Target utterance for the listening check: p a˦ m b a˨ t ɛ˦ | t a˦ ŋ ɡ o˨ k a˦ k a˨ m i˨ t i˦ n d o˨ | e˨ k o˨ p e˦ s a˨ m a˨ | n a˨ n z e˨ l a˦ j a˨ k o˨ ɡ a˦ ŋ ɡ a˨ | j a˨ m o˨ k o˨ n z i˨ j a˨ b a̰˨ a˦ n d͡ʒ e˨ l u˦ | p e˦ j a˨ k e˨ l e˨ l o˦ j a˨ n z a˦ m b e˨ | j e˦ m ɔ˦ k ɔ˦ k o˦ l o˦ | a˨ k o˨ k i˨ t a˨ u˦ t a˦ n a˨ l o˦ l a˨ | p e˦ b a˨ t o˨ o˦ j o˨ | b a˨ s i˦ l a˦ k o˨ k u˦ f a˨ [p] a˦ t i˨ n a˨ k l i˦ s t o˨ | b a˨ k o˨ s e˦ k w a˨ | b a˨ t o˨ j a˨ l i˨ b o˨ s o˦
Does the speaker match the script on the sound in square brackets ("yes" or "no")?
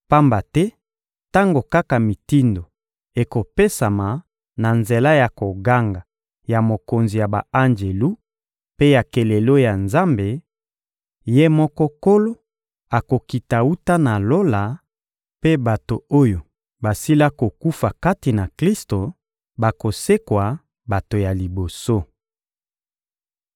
no